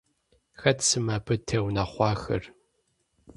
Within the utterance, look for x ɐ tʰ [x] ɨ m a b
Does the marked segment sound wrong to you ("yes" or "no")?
yes